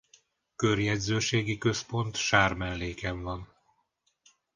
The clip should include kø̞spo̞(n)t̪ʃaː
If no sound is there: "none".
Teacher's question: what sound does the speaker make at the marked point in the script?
n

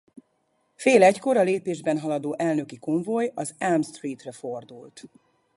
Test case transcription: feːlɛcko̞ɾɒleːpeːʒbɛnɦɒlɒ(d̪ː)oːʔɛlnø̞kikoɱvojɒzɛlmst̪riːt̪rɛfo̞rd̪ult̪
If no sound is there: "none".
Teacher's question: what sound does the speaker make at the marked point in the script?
d̪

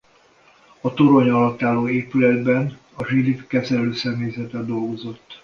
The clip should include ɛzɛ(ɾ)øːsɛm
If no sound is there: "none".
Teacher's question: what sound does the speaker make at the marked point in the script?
l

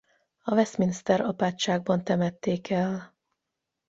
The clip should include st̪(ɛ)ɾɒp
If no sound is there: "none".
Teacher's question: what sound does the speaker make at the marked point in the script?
ɛ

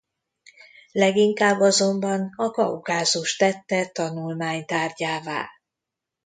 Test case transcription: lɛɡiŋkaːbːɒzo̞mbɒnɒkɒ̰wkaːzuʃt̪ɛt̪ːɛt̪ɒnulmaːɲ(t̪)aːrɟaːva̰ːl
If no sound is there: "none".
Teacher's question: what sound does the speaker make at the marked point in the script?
t̪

